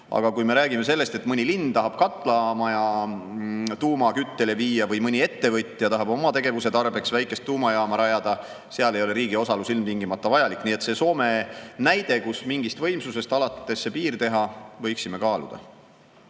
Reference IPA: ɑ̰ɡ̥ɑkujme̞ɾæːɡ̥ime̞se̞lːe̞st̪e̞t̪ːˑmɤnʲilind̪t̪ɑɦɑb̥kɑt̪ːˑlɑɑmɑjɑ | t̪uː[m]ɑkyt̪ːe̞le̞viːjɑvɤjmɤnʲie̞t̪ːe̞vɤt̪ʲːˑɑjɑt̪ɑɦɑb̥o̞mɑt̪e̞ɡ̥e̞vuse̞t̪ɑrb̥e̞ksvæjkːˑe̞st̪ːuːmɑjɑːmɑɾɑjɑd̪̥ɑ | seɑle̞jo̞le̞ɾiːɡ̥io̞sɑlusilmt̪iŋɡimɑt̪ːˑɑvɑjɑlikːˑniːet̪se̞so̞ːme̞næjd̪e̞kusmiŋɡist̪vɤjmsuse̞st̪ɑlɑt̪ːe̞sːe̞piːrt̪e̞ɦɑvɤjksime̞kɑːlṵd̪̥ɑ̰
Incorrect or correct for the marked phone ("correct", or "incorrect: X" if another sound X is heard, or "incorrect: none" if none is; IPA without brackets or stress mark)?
correct